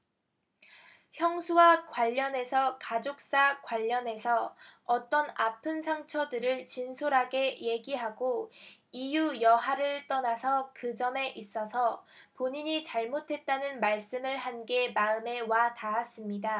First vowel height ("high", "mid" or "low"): mid